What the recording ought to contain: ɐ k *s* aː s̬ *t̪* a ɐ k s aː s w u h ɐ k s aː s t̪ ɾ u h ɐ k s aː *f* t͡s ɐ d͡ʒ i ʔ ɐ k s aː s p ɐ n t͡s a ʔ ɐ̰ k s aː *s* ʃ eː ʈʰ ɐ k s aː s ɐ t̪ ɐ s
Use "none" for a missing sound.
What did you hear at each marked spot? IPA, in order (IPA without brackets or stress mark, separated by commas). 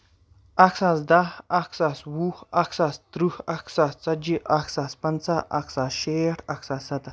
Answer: s, d̪, s, s